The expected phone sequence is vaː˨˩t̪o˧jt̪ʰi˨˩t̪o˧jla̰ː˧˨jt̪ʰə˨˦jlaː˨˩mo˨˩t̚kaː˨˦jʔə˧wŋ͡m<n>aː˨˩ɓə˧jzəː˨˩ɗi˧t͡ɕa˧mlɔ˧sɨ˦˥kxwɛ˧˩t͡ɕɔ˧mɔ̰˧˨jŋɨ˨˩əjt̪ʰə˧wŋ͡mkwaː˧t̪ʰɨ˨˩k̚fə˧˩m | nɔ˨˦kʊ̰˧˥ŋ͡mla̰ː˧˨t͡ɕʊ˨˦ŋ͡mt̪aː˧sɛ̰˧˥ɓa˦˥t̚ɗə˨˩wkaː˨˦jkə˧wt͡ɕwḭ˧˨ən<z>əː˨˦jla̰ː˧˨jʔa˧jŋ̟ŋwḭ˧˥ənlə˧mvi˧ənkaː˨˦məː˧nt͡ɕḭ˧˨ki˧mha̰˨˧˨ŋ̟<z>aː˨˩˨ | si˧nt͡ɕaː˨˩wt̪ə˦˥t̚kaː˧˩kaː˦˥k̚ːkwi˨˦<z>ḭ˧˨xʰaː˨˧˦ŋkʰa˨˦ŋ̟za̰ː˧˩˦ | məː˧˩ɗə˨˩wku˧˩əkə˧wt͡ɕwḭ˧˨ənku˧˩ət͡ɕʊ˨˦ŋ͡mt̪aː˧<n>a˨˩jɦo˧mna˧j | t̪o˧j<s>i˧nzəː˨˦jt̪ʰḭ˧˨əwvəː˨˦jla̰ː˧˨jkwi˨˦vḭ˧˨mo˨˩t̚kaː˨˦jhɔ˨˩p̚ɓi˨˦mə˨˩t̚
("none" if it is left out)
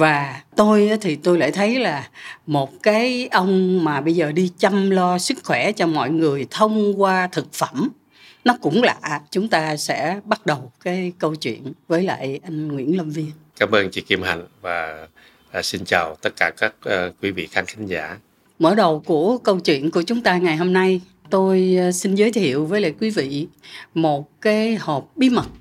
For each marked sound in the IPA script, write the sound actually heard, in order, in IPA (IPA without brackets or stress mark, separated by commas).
m, v, v, v, ŋ, s